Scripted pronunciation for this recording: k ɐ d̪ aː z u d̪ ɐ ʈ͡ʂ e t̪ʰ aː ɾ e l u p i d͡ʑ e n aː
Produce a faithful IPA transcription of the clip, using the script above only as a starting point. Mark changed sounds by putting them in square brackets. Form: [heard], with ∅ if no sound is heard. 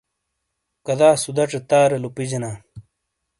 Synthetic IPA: k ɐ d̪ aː [s] u d̪ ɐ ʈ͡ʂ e [t̪] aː ɾ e l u p i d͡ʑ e n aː